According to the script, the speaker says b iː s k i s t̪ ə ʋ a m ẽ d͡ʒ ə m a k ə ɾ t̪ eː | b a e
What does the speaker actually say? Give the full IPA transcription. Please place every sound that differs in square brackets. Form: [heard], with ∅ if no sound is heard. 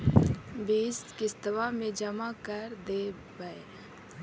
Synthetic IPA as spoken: b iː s k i s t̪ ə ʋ a m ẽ d͡ʒ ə m a k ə ɾ [d̪] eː | b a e